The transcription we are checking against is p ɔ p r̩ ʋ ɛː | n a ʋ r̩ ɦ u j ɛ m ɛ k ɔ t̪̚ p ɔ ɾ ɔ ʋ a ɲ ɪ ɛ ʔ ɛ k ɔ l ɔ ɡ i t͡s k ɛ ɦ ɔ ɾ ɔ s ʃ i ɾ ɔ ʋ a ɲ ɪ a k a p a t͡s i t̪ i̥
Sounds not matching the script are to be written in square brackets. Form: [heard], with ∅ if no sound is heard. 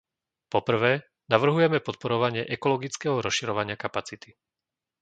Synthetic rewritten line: p ɔ p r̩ ʋ ɛː | n a ʋ r̩ ɦ u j ɛ m ɛ [p] ɔ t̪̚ p ɔ ɾ ɔ ʋ a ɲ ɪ ɛ ʔ ɛ k ɔ l ɔ ɡ i t͡s k ɛ ɦ ɔ ɾ ɔ s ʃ i ɾ ɔ ʋ a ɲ ɪ a k a p a t͡s i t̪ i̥